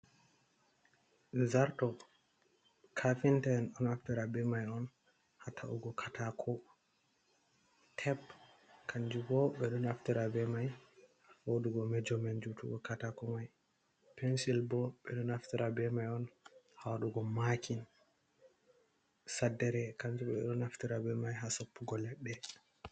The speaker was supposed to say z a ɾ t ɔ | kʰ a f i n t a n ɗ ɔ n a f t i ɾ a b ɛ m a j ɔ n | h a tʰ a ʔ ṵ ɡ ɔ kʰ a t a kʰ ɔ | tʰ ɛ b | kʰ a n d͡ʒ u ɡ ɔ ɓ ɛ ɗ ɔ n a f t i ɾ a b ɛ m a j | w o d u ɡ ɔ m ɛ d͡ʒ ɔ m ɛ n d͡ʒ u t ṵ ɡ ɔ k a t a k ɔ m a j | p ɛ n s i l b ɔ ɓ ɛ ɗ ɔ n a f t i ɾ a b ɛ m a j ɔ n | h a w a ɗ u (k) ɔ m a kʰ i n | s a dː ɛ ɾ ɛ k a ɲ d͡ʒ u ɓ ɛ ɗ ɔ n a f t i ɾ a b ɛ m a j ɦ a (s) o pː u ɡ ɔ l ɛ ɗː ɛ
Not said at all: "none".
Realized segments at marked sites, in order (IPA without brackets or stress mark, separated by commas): ɡ, s